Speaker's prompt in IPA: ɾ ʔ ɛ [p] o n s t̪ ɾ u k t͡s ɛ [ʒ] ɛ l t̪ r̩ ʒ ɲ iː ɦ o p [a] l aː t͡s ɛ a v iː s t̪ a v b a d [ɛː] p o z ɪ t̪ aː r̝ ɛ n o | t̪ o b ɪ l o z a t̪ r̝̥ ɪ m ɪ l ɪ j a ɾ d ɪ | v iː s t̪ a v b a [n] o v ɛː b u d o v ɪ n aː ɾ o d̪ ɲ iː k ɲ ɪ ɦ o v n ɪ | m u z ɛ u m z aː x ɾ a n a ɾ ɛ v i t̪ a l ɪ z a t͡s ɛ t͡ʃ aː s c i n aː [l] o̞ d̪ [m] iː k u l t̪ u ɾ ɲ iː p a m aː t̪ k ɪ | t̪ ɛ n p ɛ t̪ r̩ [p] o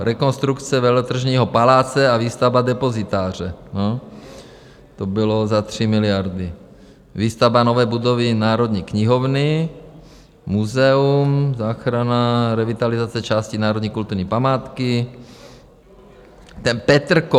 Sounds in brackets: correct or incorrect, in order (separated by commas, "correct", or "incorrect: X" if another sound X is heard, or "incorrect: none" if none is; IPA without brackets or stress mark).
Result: incorrect: k, incorrect: v, correct, incorrect: ɛ, correct, incorrect: ɾ, incorrect: ɲ, incorrect: k